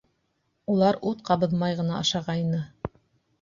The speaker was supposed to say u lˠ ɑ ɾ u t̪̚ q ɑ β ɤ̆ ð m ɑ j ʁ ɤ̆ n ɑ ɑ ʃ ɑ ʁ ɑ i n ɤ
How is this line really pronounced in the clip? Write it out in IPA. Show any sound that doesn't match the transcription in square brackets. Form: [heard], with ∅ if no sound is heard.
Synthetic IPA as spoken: u lˠ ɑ ɾ u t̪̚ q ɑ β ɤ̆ ð m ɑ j ʁ ɤ̆ n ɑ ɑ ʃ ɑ ʁ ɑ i n ɤ